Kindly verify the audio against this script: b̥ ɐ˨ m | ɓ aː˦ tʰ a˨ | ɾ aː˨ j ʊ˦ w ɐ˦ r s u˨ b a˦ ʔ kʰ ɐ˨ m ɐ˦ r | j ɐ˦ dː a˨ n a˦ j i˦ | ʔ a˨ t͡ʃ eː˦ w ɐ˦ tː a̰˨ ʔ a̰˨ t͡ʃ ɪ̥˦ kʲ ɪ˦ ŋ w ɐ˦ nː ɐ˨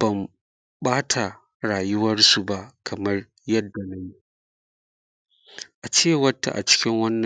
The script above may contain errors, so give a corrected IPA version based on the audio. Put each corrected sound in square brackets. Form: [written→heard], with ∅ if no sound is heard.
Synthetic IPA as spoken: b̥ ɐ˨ m | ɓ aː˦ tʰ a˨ | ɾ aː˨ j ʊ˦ w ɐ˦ r s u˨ b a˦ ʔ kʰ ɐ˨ m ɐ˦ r | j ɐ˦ dː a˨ n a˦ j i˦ | ʔ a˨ t͡ʃ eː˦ w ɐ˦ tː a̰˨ ʔ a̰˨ t͡ʃ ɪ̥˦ kʲ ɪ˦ ŋ w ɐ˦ nː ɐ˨